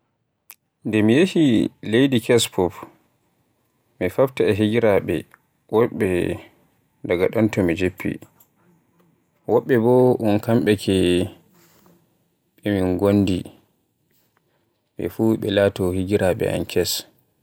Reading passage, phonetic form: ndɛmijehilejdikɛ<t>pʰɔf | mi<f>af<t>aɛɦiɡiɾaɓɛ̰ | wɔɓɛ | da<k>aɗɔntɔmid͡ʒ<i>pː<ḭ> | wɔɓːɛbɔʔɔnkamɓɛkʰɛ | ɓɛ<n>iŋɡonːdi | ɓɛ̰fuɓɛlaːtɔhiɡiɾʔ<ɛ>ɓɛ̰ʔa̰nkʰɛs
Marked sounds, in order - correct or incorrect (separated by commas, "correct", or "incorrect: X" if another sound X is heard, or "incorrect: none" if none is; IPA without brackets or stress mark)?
incorrect: s, correct, correct, incorrect: ɡ, incorrect: e, correct, incorrect: m, incorrect: a